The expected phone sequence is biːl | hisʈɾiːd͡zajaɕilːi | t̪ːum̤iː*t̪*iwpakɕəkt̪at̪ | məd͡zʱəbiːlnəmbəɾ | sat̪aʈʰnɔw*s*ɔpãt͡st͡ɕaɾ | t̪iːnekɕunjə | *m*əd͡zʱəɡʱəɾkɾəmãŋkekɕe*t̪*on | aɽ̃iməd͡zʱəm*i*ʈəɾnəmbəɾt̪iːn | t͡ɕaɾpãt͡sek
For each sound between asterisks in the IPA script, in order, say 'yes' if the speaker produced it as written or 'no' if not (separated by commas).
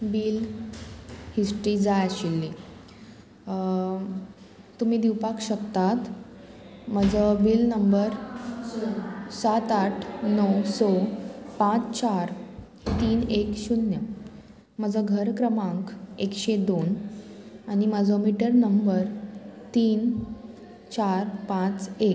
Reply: no, yes, yes, no, yes